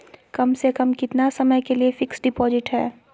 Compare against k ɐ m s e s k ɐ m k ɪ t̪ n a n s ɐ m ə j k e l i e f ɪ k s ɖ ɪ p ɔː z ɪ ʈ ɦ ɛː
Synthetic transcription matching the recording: k ɐ m s e k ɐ m k ɪ t̪ n a s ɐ m ə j k e l i e f ɪ k s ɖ ɪ p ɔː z ɪ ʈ ɦ ɛː